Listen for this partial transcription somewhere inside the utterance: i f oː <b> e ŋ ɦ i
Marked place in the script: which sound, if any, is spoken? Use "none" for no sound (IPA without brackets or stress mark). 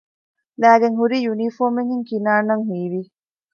m